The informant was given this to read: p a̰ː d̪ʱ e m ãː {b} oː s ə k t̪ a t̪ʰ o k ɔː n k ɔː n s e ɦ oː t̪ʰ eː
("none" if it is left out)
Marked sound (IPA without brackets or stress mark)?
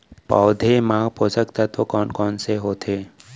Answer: p